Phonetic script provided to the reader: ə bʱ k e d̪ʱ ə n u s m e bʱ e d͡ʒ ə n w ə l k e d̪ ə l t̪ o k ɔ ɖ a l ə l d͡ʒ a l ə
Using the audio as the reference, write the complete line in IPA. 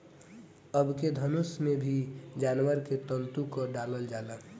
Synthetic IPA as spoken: ə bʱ k e d̪ʱ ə n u s m e bʱ i d͡ʒ a n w ə ɾ k e t̪ ə l t̪ u k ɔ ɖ a l ə l d͡ʒ a l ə